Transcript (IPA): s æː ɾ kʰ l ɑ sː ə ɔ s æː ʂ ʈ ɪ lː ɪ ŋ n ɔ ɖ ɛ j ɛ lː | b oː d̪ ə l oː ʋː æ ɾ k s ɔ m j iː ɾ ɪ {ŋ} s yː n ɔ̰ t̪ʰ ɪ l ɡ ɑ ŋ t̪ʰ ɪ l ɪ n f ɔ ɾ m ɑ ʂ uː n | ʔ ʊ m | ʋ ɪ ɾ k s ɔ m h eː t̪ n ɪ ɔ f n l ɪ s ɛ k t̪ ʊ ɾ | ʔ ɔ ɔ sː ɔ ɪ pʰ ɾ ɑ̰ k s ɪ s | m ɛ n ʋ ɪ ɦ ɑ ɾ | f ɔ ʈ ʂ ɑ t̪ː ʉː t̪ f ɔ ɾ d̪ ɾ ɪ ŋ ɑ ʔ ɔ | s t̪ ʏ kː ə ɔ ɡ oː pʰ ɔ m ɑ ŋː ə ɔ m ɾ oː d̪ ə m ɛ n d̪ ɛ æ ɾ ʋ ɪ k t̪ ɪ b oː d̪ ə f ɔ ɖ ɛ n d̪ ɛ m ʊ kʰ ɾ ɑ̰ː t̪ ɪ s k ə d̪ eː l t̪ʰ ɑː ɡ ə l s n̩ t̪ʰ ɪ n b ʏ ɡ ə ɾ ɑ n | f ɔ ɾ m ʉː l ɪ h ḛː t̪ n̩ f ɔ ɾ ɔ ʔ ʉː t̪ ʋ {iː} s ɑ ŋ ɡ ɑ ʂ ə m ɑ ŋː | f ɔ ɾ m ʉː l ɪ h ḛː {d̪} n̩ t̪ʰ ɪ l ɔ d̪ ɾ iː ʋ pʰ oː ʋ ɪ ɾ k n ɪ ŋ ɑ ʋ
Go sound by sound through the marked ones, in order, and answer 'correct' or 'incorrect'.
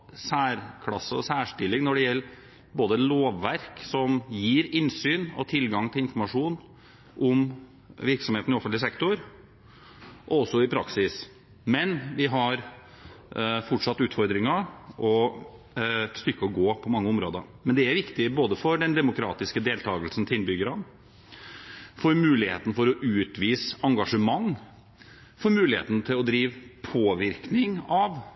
incorrect, correct, incorrect

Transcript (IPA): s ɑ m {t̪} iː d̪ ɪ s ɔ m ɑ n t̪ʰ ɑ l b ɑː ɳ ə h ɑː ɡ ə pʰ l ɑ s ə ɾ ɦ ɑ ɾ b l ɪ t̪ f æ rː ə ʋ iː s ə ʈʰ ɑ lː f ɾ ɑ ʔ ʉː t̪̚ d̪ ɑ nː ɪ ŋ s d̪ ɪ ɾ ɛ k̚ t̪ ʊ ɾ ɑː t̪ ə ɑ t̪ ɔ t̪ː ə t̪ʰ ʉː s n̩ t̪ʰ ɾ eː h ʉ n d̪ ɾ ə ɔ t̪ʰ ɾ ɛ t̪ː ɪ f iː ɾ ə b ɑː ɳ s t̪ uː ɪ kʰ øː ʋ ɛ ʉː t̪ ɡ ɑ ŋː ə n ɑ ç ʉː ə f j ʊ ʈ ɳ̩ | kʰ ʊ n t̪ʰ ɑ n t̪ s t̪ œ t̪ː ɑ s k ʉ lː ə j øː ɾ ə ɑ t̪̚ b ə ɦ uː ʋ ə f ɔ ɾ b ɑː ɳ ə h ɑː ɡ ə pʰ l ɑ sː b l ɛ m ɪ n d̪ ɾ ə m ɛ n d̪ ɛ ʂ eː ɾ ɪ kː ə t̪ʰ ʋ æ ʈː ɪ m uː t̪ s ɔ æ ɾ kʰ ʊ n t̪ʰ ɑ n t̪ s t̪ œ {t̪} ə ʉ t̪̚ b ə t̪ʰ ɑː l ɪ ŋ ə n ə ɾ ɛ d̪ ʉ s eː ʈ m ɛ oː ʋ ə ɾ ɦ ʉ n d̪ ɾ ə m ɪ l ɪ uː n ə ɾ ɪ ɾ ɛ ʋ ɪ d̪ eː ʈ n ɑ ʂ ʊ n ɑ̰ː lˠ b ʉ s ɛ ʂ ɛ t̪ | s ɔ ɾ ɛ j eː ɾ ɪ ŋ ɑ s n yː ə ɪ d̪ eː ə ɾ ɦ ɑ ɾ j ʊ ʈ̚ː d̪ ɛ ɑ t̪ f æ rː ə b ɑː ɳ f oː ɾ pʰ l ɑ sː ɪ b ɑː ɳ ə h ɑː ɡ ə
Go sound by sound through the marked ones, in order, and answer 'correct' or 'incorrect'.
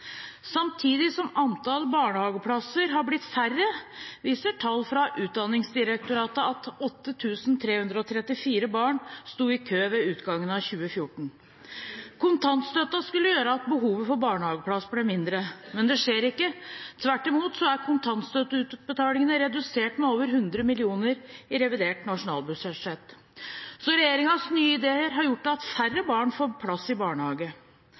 incorrect, correct

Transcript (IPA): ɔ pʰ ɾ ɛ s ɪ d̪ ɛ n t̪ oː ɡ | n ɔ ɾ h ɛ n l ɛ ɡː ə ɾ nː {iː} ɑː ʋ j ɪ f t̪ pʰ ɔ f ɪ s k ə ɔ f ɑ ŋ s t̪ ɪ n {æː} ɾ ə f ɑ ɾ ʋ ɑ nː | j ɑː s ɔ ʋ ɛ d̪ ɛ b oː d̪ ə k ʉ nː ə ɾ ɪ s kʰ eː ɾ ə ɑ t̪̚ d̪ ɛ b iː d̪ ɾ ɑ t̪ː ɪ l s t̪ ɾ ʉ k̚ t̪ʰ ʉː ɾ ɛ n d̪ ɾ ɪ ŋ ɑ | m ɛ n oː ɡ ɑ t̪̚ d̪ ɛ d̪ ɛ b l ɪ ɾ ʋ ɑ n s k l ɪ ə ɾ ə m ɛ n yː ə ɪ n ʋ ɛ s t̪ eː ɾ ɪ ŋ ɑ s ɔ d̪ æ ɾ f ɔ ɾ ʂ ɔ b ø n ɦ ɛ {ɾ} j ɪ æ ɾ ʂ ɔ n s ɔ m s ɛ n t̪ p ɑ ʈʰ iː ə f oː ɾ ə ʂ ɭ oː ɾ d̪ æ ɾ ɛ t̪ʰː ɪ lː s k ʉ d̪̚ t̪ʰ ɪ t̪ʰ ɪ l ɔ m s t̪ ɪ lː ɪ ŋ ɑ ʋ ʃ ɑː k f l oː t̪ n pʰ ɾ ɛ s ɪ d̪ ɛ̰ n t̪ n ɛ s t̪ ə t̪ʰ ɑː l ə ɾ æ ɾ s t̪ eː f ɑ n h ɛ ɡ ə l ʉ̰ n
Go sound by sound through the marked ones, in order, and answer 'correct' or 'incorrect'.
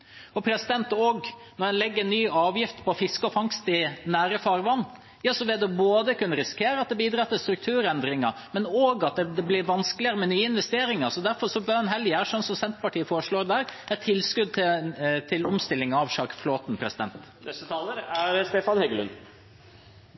incorrect, correct, incorrect

